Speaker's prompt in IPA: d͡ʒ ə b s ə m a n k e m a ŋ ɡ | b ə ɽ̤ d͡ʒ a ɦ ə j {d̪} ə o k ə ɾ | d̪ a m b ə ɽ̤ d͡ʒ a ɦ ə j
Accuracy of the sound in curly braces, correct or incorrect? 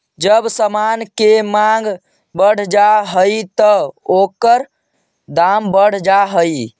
incorrect